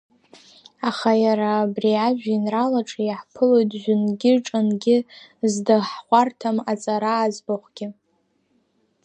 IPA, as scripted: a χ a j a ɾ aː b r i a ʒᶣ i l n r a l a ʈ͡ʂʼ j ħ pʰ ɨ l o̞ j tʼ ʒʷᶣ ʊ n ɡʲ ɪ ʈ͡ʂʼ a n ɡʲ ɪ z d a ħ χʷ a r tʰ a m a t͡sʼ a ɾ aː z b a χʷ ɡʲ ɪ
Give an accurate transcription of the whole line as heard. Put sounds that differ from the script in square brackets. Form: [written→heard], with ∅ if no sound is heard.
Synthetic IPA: a χ a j a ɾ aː b r i a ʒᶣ i [l→∅] n r a l a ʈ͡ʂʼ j ħ pʰ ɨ l o̞ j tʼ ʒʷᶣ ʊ n ɡʲ ɪ ʈ͡ʂʼ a n ɡʲ ɪ z d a ħ χʷ a r tʰ a m a t͡sʼ a ɾ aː z b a χʷ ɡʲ ɪ